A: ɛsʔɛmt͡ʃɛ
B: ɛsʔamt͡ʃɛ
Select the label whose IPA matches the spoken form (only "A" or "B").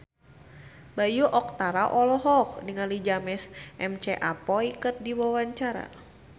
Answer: A